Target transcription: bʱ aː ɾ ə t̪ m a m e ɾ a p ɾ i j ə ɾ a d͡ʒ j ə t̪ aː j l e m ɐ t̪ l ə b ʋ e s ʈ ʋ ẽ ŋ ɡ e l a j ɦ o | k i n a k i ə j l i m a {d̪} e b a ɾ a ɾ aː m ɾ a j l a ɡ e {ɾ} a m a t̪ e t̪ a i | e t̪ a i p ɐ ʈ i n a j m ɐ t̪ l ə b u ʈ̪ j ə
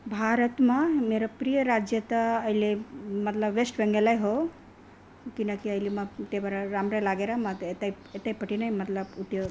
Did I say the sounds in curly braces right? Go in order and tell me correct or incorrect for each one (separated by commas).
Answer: incorrect, correct